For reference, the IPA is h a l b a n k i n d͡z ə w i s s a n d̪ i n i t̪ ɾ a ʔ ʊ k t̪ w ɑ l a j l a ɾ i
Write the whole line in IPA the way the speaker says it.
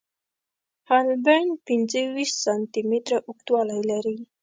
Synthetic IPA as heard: h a l b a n p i n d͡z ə w i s s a n t̪ i m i t̪ ɾ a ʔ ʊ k t̪ w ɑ l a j l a ɾ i

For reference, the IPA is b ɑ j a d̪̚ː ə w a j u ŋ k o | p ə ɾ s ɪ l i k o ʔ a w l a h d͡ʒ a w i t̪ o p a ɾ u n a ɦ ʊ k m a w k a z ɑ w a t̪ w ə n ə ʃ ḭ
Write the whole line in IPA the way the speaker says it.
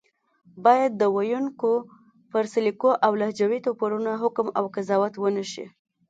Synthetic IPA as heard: b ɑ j a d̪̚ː ə w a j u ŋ k o | p ə ɾ s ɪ l i k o ʔ a w l a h d͡ʒ a w i t̪ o p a ɾ u n a ɦ ʊ k m a w k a z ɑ w a t̪ w ə n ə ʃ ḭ

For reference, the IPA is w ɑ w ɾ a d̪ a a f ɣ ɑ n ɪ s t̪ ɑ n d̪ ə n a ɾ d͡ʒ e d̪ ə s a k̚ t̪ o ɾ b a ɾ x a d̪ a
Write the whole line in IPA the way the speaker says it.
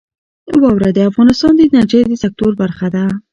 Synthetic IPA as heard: w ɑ w ɾ a d̪ ə a f ɣ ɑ n ɪ s t̪ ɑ n d̪ ə n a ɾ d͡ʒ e d̪ ə s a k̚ t̪ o ɾ b a ɾ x a d̪ a

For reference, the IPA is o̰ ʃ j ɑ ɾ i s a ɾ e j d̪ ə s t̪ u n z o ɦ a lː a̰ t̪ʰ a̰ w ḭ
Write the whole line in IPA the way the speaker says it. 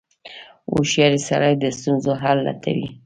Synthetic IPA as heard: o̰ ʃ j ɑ ɾ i s a ɾ a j d̪ ə s t̪ u n z o ɦ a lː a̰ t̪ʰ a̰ w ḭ

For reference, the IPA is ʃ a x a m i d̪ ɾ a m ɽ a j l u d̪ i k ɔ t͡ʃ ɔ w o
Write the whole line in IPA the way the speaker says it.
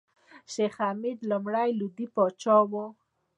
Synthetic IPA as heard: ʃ e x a m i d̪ l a m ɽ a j l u d̪ i p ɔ t͡ʃ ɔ w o

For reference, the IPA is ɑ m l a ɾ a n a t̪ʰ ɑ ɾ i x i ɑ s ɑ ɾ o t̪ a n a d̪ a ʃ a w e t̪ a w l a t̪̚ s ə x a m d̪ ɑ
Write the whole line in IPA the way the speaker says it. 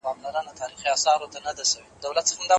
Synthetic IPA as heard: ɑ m l a ɾ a n a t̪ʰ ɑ ɾ i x i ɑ s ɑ ɾ o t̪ a n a d̪ a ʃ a w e d̪ a w l a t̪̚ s ə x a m d̪ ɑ

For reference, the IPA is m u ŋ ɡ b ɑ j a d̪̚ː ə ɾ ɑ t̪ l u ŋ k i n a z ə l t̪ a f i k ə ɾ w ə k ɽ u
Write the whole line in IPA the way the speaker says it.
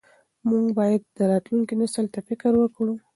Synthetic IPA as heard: m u ŋ ɡ b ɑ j a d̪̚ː ə ɾ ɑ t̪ l u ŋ k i n a s ə l t̪ a f ɪ k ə ɾ w ə k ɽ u

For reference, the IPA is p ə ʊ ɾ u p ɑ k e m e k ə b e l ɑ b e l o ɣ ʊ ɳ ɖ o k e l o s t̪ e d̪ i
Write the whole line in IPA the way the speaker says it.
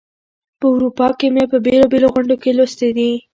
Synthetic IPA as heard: p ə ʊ ɾ u p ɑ k e m e p ə b e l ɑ b e l o ɣ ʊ ɳ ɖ o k e l o s t̪ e d̪ i

